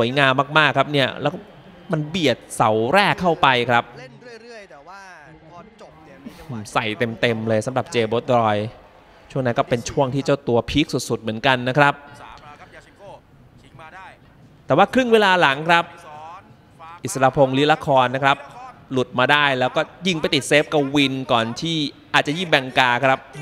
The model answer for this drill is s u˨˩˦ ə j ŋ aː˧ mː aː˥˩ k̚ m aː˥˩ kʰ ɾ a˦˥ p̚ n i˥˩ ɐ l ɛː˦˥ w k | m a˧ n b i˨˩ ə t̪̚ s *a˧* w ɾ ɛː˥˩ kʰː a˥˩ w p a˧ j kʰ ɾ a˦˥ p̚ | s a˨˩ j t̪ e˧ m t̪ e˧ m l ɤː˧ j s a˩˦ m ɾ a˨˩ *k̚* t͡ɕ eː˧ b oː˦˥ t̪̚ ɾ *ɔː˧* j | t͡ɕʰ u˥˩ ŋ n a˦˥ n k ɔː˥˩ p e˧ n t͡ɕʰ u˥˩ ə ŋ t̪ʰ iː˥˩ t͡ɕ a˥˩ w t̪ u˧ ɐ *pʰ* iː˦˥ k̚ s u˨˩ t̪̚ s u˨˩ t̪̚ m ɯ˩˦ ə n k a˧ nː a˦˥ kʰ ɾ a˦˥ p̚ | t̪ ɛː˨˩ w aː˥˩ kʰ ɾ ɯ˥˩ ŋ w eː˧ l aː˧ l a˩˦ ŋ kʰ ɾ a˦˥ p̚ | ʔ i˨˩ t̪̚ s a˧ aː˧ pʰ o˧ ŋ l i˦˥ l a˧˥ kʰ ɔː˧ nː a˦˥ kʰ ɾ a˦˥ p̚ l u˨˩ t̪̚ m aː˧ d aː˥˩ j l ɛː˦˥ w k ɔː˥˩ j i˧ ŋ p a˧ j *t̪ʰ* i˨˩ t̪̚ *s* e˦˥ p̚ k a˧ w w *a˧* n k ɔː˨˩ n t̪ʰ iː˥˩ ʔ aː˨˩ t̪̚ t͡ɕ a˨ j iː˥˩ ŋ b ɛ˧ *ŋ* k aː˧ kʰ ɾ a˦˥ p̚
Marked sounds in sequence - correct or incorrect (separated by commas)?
incorrect, incorrect, correct, correct, incorrect, correct, incorrect, correct